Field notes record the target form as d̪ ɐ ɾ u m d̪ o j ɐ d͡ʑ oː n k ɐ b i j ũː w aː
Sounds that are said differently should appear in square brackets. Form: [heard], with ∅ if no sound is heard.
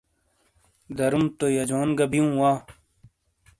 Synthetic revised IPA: d̪ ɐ ɾ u m [t̪] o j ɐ d͡ʑ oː n [ɡ] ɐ b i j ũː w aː